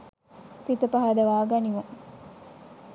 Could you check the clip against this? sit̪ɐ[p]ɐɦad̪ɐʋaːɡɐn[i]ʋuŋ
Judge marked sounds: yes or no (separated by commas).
yes, yes